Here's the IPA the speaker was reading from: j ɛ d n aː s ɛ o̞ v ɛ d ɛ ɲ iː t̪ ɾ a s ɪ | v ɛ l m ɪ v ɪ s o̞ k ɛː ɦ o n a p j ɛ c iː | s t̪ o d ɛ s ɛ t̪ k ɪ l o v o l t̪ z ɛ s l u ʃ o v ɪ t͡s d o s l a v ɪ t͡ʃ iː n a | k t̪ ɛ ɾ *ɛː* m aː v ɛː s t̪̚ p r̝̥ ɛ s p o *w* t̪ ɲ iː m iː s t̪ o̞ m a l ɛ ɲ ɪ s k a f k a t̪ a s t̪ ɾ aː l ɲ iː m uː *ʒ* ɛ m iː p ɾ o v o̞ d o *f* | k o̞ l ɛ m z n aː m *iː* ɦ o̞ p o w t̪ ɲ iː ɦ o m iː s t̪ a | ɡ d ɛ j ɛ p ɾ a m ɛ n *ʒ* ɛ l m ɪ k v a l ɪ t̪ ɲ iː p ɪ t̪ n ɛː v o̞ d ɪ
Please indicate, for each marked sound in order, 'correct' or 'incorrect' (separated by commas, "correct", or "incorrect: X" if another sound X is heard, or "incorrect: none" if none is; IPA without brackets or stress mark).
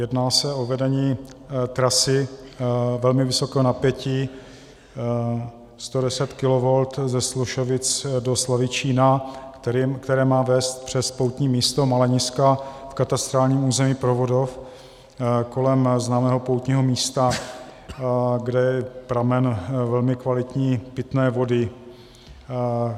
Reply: correct, correct, incorrect: z, correct, incorrect: ɛː, incorrect: v